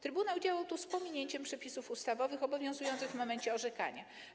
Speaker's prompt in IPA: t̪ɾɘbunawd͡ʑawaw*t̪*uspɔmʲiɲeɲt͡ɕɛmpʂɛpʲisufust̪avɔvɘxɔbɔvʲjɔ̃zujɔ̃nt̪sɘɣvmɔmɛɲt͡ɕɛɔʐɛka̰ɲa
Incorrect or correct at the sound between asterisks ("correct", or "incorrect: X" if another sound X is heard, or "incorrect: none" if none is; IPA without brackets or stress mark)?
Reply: correct